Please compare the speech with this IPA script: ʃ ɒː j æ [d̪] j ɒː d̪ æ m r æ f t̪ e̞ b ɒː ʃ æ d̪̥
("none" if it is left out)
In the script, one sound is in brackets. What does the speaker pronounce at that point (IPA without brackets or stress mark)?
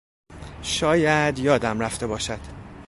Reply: d̪